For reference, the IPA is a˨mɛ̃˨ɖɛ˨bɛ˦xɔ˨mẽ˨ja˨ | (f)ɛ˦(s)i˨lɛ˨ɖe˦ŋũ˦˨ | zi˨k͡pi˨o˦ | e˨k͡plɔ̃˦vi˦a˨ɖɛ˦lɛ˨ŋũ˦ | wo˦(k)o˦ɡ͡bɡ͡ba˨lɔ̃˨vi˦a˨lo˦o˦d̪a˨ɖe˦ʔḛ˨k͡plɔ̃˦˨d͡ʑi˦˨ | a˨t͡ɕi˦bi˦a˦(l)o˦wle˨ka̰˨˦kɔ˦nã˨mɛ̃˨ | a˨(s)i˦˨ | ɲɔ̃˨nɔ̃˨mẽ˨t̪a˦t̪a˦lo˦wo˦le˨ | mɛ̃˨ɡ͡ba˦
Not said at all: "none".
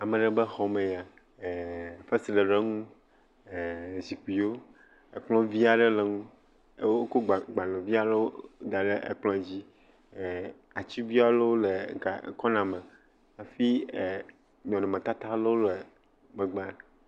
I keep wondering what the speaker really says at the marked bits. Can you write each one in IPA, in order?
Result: f, s, k, l, f

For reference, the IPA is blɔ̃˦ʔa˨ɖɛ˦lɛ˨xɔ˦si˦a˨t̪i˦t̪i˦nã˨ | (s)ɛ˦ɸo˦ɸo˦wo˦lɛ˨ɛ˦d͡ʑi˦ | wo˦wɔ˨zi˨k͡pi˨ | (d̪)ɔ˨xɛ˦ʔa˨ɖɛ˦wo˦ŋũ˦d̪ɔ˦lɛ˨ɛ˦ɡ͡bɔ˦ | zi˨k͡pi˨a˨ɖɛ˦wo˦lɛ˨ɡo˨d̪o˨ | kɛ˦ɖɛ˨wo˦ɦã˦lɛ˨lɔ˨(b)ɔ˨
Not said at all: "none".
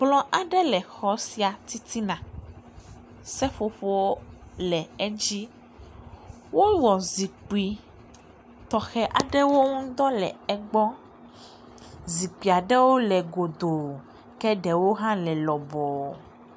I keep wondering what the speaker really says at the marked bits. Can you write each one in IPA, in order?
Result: s, t̪, b

